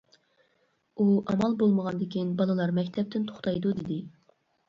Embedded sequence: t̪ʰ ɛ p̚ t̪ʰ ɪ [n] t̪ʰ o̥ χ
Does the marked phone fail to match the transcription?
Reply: no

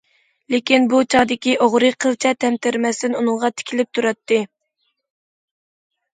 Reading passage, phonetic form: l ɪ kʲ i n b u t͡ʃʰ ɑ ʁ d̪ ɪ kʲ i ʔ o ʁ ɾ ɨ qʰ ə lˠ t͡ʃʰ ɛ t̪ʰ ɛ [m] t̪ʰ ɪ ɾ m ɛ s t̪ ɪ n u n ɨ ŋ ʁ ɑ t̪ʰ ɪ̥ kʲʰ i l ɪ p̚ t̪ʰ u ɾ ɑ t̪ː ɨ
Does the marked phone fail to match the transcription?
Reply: no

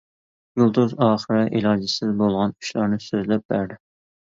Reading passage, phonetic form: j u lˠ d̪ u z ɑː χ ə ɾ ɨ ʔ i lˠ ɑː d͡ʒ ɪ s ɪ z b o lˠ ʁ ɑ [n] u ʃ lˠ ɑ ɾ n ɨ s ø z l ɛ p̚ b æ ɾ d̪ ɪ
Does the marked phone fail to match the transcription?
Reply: no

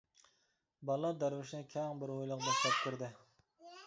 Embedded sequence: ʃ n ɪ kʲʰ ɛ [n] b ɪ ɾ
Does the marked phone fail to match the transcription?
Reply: yes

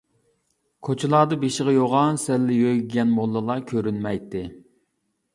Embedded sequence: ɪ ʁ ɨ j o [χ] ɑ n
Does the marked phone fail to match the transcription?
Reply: yes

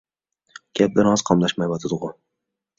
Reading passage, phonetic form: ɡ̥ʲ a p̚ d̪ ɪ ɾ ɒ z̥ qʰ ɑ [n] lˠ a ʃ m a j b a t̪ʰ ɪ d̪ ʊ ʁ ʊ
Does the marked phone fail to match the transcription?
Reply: yes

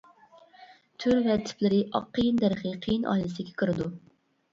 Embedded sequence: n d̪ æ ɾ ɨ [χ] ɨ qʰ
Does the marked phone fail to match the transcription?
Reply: no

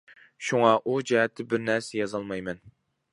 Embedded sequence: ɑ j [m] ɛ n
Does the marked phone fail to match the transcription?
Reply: no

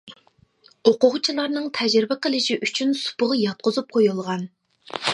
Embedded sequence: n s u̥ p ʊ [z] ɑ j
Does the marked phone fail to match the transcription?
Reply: yes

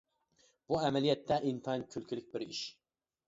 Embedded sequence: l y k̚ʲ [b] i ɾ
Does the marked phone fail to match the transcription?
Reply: no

